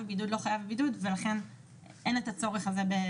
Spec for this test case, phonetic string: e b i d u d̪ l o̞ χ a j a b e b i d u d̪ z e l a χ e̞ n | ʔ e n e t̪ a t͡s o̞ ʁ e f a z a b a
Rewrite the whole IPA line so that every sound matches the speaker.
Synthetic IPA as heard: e b i d u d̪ l o̞ χ a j a v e b i d u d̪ v e l a χ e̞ n | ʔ e n e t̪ a t͡s o̞ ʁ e χ a z e b e